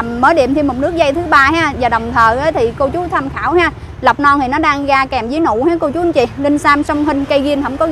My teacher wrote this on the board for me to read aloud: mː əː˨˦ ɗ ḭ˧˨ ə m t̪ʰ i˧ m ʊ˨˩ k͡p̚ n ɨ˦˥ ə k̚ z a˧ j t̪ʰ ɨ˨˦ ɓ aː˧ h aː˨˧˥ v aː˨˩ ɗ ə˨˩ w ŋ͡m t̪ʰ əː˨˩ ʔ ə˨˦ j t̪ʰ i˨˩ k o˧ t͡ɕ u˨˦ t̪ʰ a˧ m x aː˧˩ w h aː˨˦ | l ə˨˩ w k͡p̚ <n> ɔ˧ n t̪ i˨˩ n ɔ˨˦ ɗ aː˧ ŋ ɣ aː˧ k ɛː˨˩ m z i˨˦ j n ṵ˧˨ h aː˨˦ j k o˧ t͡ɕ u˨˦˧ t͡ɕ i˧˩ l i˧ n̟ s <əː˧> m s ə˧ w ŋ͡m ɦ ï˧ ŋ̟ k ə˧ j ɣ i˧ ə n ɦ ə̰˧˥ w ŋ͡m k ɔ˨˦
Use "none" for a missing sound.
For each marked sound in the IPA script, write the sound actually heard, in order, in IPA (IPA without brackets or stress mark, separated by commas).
n, aː˧